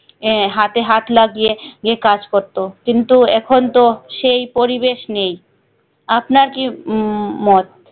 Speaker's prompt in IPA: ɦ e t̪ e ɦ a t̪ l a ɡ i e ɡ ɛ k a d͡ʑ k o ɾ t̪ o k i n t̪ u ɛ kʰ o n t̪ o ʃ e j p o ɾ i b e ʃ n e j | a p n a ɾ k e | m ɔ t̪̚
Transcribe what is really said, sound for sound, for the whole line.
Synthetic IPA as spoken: ɦ a t̪ e ɦ a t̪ l a ɡ i e ɡ e k a d͡ʑ k o ɾ t̪ o k i n t̪ u ɛ kʰ o n t̪ o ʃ e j p o ɾ i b e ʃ n e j | a p n a ɾ k i | m ɔ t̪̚